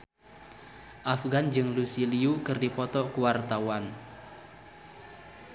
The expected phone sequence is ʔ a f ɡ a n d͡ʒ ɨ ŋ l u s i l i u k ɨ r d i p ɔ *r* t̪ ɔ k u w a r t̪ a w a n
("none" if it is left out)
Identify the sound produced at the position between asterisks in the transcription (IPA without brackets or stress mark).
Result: none